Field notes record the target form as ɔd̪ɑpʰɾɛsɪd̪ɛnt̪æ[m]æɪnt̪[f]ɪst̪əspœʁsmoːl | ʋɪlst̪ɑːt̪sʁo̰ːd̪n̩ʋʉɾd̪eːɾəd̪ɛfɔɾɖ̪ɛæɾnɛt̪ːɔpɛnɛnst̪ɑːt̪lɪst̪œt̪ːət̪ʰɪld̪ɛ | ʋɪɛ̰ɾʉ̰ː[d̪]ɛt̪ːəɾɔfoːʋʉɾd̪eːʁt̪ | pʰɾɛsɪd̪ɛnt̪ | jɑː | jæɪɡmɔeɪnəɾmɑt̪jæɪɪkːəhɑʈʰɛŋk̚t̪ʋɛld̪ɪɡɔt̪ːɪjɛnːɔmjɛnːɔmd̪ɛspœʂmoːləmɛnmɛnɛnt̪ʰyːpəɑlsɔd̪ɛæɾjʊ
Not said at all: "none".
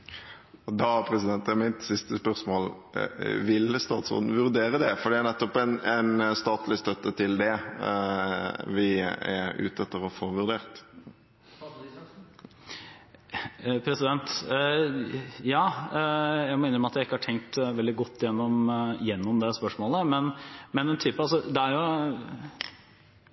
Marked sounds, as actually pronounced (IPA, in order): m, s, t̪

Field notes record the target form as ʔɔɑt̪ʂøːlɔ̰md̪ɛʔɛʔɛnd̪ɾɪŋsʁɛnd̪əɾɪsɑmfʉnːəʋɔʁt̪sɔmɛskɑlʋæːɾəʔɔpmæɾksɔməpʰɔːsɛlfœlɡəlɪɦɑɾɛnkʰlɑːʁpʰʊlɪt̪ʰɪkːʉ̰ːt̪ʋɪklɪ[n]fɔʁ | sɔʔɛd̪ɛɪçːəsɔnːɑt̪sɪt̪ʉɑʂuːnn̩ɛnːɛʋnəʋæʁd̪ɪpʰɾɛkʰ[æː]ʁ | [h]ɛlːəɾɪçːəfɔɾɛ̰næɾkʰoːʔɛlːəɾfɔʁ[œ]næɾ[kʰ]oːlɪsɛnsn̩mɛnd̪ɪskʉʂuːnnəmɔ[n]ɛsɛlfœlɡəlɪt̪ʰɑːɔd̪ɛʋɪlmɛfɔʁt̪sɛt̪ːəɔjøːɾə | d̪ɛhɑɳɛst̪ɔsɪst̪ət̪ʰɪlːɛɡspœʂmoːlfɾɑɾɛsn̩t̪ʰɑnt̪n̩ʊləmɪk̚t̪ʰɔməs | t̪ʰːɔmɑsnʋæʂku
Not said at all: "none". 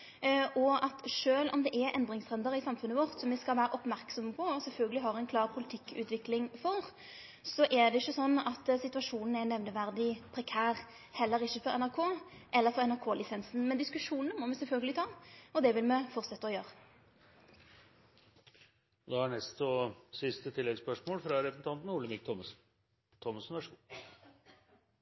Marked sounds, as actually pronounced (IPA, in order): ŋ, æː, h, ɛ, kʰ, m

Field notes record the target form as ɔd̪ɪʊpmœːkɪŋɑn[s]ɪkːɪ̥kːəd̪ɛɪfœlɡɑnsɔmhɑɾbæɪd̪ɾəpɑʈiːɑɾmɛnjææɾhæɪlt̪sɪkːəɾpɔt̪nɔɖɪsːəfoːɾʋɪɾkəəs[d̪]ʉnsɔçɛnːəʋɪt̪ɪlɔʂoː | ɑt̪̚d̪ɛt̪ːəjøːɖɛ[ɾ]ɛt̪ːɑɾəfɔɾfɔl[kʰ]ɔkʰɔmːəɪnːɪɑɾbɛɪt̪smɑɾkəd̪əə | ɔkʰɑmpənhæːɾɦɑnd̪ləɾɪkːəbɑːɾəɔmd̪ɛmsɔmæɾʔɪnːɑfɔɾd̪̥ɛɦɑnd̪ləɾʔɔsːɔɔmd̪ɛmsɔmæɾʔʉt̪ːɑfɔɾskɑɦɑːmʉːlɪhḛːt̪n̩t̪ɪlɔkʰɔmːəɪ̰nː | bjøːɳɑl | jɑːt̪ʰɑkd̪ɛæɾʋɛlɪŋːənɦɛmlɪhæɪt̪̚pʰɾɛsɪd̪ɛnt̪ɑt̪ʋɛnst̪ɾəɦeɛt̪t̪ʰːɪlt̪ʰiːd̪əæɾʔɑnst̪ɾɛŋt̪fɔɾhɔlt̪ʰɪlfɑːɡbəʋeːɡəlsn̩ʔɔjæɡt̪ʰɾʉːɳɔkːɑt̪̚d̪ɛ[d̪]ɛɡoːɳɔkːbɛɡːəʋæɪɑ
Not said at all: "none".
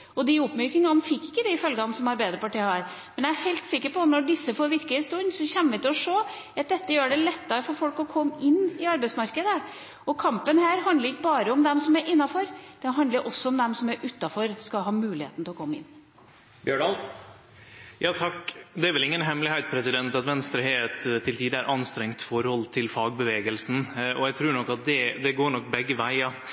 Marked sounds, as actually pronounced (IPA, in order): f, t̪, l, k, d̪

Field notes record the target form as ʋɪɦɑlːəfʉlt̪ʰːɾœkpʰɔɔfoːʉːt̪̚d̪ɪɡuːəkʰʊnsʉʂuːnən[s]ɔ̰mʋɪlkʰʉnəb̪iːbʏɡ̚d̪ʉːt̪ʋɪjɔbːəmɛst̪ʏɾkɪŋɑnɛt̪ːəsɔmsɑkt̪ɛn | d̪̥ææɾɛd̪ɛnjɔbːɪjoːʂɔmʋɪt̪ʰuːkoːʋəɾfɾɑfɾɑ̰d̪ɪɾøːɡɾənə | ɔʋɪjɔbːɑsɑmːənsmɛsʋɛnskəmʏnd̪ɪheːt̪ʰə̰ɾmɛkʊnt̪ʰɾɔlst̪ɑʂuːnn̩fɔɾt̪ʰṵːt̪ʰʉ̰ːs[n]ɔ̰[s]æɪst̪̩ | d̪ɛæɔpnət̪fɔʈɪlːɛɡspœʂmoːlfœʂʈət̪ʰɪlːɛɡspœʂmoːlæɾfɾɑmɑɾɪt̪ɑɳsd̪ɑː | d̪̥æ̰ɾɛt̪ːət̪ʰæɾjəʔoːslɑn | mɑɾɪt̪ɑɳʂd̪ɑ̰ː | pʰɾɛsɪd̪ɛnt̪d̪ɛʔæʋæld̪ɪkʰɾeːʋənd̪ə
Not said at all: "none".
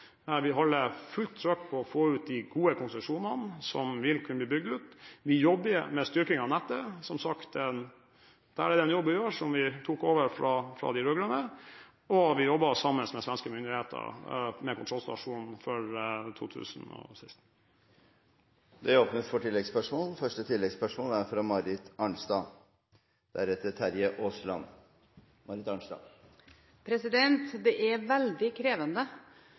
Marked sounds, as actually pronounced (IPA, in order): s, n, s

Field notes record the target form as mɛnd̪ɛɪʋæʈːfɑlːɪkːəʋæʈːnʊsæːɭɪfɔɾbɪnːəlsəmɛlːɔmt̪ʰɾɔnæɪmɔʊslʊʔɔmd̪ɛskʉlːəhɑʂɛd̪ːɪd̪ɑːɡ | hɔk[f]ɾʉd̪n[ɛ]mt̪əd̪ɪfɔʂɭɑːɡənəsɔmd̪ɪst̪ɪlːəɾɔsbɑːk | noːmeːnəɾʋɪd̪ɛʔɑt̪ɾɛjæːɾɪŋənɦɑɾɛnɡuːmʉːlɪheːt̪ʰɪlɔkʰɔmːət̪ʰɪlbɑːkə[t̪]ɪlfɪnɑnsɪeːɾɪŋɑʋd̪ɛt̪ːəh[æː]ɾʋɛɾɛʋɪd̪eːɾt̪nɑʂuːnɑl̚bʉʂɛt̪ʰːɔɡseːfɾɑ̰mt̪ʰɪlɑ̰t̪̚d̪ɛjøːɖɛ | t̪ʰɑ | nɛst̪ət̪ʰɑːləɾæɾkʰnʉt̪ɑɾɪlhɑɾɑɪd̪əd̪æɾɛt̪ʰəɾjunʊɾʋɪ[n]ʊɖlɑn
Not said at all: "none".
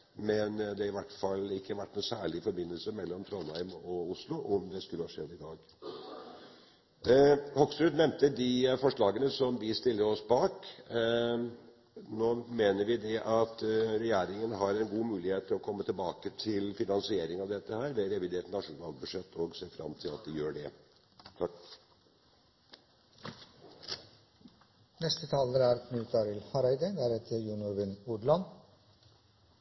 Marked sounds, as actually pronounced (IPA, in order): s, ɛ, t̪ʰ, æː, n

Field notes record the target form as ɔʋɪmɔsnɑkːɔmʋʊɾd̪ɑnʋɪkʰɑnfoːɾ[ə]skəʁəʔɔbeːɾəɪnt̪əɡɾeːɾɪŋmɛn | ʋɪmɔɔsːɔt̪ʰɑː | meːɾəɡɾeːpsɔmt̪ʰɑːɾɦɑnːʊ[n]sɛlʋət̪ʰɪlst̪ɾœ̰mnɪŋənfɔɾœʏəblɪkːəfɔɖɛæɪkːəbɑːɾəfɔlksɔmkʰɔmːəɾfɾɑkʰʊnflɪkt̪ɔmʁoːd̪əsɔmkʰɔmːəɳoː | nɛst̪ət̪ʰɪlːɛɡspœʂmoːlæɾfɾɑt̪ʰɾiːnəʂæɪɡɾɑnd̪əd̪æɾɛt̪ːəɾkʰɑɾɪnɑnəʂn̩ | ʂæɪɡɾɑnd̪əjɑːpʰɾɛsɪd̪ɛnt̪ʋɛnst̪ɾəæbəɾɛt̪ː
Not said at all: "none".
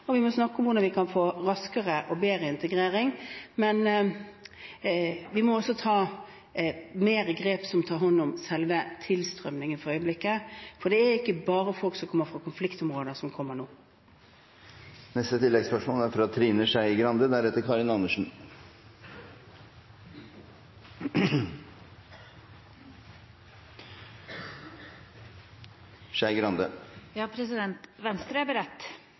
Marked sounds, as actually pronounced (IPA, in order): ɑ, m

